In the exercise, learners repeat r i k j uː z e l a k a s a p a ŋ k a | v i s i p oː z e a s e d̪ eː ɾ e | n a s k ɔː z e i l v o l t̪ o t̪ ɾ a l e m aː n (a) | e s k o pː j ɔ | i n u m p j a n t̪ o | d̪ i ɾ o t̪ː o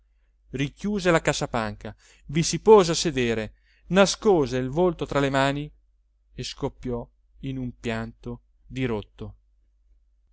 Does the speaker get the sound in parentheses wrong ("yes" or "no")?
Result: yes